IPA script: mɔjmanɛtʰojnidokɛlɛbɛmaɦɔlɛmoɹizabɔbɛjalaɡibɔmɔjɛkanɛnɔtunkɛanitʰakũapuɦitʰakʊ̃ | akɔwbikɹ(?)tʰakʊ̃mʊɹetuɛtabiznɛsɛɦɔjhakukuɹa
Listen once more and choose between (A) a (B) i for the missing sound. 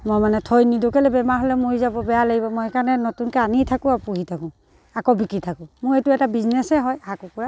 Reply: B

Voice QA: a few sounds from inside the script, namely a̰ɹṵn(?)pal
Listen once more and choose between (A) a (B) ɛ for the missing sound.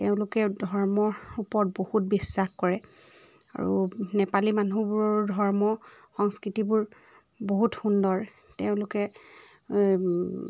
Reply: B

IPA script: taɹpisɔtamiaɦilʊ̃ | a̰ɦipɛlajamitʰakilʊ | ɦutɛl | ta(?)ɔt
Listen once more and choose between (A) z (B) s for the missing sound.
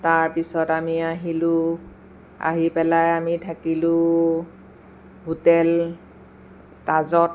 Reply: A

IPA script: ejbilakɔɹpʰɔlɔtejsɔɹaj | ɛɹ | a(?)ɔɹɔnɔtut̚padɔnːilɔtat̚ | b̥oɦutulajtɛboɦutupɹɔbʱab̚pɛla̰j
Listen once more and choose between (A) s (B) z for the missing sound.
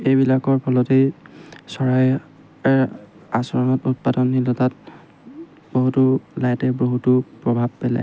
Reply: A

